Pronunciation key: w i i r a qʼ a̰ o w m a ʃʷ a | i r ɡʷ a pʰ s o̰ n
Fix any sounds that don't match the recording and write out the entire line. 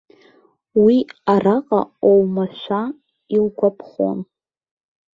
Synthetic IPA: w i a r a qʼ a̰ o w m a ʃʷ a | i l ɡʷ a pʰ χ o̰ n

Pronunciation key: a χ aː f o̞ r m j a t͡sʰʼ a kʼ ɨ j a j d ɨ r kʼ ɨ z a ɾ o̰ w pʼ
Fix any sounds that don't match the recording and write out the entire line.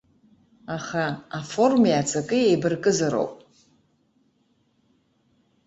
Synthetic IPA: a χ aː f o̞ r m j a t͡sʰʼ a kʼ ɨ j e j b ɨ r kʼ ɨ z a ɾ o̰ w pʼ

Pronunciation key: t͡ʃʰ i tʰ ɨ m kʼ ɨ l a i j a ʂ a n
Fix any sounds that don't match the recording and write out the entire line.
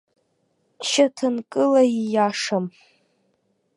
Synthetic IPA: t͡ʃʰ a tʰ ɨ n kʼ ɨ l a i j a ʂ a m

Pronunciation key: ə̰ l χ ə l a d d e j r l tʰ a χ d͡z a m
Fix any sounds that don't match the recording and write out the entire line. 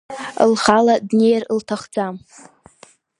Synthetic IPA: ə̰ l χ a l a d n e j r l tʰ a χ d͡z a m

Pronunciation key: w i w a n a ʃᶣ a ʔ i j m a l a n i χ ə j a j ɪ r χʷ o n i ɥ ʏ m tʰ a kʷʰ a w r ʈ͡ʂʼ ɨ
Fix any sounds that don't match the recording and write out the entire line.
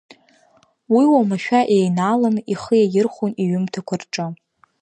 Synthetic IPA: w i w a m a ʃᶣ a ʔ e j n a l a m i χ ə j a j ɪ r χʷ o n i ɥ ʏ m tʰ a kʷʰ a r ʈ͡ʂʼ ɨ

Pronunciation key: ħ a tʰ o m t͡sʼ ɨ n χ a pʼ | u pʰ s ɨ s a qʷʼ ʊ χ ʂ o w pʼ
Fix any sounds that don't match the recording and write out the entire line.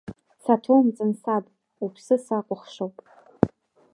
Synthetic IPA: s a tʰ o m t͡sʼ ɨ n s a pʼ | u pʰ s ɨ s a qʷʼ ʊ χ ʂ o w pʼ

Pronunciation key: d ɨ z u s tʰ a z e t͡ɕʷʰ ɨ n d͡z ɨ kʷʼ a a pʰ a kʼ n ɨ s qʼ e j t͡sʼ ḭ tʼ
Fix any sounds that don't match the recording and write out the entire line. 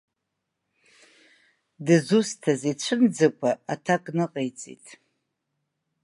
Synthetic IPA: d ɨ z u s tʰ a z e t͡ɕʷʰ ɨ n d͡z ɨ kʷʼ a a tʰ a kʼ n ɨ qʼ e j t͡sʼ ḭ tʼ

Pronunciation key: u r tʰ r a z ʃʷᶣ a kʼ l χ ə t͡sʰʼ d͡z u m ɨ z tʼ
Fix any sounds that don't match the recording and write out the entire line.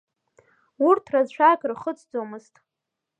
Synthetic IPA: u r tʰ r a z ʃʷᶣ a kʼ r χ ə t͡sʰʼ d͡z o m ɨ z tʼ

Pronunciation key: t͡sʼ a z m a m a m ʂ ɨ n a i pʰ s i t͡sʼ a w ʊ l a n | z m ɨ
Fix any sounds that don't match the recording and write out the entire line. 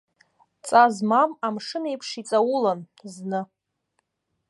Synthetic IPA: t͡sʼ a z m a m a m ʂ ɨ n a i pʰ ʂ i t͡sʼ a w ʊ l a n | z n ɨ

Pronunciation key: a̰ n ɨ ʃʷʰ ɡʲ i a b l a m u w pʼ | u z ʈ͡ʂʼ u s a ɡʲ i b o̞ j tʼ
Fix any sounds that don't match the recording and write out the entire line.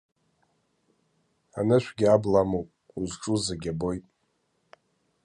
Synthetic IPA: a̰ n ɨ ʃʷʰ ɡʲ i a b l a m o w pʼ | u z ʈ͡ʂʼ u z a ɡʲ a b o̞ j tʼ

